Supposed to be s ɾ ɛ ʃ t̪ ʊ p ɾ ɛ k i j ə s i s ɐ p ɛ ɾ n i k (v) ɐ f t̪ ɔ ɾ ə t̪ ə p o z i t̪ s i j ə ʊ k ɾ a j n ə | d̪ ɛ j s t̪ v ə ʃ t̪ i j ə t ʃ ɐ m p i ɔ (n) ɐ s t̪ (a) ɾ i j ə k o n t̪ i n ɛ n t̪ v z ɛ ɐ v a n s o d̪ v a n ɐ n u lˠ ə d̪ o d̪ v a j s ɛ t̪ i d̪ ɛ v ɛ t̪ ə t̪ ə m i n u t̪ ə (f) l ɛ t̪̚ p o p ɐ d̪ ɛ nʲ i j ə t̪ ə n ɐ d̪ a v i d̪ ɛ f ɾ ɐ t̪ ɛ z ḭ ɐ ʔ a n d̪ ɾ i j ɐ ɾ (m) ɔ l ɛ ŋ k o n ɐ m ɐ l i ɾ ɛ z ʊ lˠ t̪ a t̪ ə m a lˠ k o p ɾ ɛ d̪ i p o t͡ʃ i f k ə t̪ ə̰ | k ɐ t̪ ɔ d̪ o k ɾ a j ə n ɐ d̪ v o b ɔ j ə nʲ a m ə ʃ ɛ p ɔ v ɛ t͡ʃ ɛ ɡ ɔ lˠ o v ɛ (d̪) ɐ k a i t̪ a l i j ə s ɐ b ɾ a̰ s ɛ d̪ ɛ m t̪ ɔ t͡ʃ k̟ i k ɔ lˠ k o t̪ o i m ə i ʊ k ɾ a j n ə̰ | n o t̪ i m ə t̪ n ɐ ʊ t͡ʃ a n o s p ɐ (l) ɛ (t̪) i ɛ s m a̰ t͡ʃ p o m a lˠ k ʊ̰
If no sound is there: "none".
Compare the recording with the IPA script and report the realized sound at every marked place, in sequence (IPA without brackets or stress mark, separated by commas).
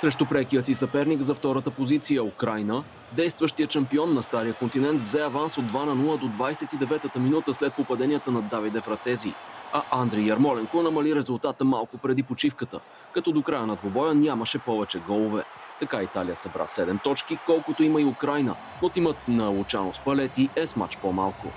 z, nː, a, s, m, t̪, l, t̪